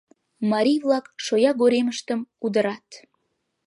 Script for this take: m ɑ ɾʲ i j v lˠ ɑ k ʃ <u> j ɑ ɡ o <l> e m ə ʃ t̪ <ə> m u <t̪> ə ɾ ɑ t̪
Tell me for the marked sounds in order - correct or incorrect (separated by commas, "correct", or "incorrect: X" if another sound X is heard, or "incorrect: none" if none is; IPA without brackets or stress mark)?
incorrect: o, incorrect: ɾ, correct, incorrect: d̪